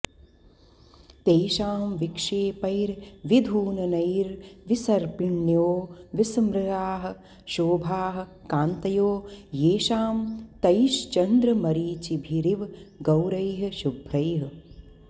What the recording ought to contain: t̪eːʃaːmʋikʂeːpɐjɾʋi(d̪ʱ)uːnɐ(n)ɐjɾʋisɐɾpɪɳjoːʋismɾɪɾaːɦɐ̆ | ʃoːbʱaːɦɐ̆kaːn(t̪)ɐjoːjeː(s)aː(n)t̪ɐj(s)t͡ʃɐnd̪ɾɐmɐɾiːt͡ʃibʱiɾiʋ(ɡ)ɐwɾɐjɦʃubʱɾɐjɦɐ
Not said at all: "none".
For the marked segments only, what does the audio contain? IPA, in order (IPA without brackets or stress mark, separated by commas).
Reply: d̪ʱ, n, t̪, ʃ, m, ʃ, ɡ